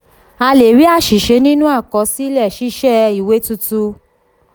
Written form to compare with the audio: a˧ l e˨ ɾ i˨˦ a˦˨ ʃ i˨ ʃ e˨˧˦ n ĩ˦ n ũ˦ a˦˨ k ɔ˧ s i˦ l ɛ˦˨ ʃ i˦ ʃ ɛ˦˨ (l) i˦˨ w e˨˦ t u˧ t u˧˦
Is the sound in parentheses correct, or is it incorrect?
incorrect